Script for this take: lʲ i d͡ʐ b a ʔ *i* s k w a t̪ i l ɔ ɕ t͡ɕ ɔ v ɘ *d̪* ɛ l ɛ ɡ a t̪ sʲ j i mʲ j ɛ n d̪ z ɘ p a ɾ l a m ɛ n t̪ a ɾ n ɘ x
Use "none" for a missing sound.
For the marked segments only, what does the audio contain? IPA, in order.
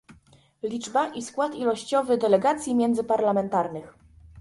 i, d̪

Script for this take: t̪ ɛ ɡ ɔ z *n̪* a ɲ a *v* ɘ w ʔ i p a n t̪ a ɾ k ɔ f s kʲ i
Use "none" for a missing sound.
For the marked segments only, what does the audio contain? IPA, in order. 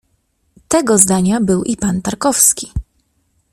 d̪, b

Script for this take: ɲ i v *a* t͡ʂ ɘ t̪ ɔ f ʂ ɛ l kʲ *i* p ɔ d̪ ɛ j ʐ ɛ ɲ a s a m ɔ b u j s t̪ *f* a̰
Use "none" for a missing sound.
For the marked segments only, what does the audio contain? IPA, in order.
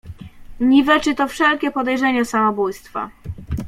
ɛ, ɛ, f

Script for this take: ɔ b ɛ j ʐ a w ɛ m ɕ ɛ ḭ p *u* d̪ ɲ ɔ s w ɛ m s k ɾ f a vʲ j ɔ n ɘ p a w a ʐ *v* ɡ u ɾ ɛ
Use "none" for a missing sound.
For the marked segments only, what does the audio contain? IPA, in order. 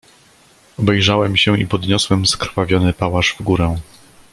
ɔ, v

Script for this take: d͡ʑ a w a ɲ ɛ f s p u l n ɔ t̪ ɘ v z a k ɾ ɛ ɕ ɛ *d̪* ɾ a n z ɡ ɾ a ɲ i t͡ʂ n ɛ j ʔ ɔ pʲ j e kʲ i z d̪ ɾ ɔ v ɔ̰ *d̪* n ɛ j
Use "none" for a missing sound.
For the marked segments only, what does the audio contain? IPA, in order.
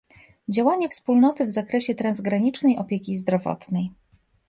t̪, t̪

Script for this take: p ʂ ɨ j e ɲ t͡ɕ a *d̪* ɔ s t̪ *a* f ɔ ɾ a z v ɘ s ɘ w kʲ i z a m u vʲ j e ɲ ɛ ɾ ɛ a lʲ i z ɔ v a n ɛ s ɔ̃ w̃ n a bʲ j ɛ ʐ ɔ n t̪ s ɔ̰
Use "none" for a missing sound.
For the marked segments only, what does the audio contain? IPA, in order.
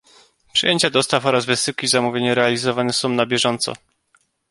d̪, a

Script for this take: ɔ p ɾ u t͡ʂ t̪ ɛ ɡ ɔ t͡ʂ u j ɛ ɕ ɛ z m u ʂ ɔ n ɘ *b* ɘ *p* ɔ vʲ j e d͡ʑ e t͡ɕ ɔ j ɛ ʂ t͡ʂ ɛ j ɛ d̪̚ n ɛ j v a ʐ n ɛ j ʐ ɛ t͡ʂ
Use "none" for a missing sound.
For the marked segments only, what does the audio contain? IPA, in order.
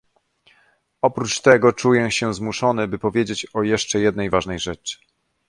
b, p

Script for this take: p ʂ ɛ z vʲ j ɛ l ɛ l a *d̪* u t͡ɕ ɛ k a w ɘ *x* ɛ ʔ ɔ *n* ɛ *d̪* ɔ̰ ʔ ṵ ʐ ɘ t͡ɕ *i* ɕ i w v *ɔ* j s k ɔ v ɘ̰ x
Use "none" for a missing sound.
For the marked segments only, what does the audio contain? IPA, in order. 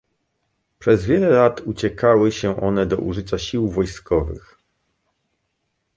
t̪, ɕ, n, d̪, a, ɔ

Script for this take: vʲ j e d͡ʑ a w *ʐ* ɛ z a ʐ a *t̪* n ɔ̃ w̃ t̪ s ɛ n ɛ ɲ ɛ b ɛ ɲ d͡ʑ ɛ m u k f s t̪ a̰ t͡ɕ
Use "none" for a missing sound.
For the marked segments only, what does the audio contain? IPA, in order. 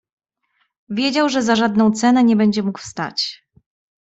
ʐ, d̪

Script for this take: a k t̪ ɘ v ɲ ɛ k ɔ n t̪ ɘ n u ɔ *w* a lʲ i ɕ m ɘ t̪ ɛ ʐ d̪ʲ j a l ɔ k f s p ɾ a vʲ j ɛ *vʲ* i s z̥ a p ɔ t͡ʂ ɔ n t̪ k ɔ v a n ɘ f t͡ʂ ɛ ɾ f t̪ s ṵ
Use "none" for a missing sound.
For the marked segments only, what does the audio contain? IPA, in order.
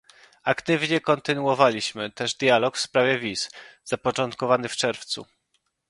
v, vʲ

